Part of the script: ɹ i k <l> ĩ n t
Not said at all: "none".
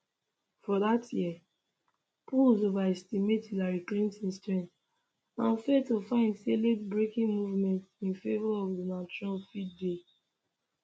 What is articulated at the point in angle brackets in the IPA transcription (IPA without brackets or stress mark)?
l